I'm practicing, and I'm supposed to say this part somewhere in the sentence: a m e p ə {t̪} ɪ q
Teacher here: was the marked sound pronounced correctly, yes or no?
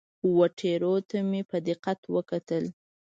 no